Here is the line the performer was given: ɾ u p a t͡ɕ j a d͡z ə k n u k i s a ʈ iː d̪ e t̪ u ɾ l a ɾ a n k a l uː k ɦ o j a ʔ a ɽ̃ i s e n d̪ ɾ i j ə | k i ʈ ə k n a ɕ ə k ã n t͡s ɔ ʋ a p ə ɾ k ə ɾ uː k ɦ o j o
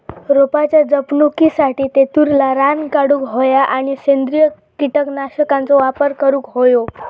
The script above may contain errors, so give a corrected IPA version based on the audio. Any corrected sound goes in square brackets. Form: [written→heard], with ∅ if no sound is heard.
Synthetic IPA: ɾ [u→o] p a t͡ɕ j a d͡z ə [k→p] n u k i s a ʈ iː [d̪→t̪] e t̪ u ɾ l a ɾ a n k a [l→ɽ] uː k ɦ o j a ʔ a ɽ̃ i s e n d̪ ɾ i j ə | k i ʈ ə k n a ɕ ə k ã n t͡s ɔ ʋ a p ə ɾ k ə ɾ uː k ɦ o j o